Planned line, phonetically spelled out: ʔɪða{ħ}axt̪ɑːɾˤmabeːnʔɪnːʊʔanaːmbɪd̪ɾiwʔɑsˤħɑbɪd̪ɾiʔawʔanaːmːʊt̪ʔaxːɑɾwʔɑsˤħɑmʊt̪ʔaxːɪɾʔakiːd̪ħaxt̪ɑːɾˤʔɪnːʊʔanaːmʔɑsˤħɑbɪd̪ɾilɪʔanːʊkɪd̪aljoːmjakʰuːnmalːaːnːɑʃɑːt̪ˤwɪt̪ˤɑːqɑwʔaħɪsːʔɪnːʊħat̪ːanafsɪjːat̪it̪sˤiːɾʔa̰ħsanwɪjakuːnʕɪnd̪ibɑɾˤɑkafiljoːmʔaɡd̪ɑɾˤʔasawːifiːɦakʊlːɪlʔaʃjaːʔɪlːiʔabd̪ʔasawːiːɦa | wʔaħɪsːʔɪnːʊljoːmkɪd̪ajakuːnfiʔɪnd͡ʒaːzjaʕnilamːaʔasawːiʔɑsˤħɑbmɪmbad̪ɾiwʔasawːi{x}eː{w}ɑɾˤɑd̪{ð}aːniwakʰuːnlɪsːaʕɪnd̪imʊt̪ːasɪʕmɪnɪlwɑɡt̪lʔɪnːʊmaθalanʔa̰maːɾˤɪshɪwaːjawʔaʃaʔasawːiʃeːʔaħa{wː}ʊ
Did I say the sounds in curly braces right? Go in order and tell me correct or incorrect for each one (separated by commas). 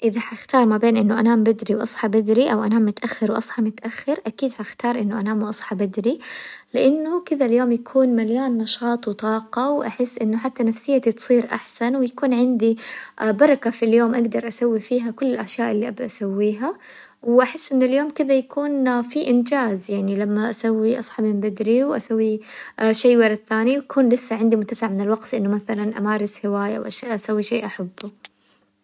correct, incorrect, correct, incorrect, incorrect